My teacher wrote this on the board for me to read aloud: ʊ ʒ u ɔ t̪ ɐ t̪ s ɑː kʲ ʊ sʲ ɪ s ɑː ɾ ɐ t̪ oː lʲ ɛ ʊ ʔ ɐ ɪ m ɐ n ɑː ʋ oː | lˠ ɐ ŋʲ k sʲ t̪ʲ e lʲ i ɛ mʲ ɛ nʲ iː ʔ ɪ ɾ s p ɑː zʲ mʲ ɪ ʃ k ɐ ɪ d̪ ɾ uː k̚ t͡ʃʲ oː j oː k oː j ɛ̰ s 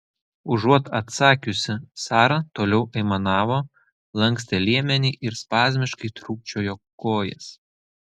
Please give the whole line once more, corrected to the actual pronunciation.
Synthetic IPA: ʊ ʒ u ɔ t̪ ɐ t̪ s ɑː kʲ ʊ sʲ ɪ s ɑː ɾ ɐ t̪ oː lʲ ɛ ʊ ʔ ɐ ɪ m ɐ n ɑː ʋ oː | lˠ ɐ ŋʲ k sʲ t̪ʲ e lʲ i ɛ mʲ ɛ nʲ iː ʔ ɪ ɾ s p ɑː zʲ mʲ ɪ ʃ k ɐ ɪ t̪ ɾ uː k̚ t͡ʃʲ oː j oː k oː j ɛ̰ s